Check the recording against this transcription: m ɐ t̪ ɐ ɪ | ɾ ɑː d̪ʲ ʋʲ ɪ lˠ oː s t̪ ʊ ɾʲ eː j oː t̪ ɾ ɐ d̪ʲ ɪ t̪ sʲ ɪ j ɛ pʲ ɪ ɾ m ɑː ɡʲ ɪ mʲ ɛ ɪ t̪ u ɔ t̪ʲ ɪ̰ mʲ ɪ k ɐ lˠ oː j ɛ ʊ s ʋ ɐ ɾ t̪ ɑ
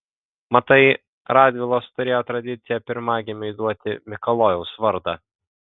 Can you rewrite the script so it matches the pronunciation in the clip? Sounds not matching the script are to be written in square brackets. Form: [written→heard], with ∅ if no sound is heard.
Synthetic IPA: m ɐ t̪ ɐ ɪ | ɾ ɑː d̪ʲ ʋʲ ɪ lˠ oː s t̪ ʊ ɾʲ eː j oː t̪ ɾ ɐ d̪ʲ ɪ t̪ sʲ ɪ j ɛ pʲ ɪ ɾ m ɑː ɡʲ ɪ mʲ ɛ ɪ [t̪→d̪] u ɔ t̪ʲ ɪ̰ mʲ ɪ k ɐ lˠ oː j ɛ ʊ s ʋ ɐ ɾ [t̪→d̪] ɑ